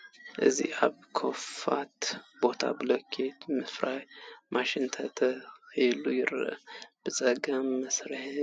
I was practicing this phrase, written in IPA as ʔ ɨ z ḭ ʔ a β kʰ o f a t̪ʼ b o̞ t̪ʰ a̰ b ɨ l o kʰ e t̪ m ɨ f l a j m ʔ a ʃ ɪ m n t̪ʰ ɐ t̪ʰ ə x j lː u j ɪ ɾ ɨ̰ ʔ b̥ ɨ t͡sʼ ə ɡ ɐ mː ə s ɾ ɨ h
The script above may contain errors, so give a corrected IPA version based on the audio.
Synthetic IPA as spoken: ʔ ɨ z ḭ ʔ a β kʰ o f a t̪ b o̞ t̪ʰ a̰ b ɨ l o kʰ e t̪ m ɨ f ɾ a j m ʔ a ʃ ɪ n t̪ʰ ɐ t̪ʰ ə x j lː u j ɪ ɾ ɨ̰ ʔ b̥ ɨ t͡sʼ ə ɡ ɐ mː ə s ɾ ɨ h